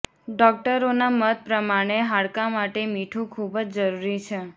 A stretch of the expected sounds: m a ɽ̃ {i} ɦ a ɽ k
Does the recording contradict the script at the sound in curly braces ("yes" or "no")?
yes